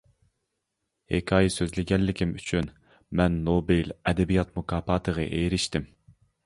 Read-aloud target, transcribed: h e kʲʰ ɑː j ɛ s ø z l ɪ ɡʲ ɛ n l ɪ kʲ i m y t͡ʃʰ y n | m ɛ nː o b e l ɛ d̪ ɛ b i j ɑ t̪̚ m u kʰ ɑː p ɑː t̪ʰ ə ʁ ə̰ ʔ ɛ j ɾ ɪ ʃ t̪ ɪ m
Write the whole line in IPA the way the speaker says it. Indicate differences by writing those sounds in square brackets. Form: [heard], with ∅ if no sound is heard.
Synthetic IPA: h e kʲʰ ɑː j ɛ s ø z l ɪ ɡʲ ɛ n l ɪ kʲ i m y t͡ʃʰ y n | m ɛ nː o b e l ɛ d̪ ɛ b i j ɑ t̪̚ m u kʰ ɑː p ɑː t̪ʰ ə ʁ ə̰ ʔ [e] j ɾ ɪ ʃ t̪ ɪ m